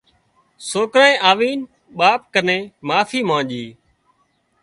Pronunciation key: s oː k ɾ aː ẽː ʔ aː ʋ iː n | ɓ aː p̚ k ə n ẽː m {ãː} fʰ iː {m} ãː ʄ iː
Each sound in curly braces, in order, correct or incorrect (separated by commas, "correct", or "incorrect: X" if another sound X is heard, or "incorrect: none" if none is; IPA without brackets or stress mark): incorrect: aː, correct